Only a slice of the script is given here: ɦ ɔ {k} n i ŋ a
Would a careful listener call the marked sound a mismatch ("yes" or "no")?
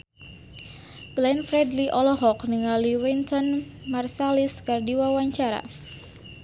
no